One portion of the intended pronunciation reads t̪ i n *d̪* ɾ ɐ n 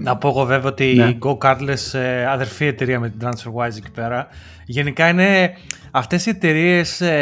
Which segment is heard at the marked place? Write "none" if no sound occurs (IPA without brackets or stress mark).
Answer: d̪